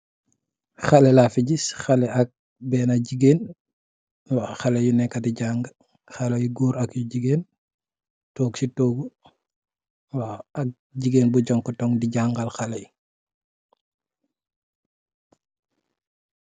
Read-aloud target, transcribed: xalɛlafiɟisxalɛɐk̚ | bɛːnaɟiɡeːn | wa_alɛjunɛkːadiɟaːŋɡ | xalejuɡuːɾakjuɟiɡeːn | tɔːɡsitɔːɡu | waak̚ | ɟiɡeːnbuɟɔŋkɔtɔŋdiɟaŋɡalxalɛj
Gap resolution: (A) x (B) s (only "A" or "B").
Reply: A